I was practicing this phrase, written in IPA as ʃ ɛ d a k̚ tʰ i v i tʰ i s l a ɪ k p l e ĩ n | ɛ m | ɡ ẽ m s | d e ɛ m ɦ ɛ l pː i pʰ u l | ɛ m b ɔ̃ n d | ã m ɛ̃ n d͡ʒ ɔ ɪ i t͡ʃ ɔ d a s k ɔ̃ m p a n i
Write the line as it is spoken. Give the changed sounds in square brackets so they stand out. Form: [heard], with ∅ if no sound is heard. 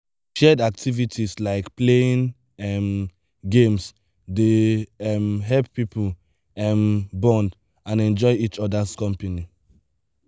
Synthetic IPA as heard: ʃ ɛ d a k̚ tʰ i v i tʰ i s l a ɪ k p l e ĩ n | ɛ m | ɡ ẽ m s | d e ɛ m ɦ ɛ l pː i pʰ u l | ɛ m b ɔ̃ n d | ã [n] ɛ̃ n d͡ʒ ɔ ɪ i t͡ʃ ɔ d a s k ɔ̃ m p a n i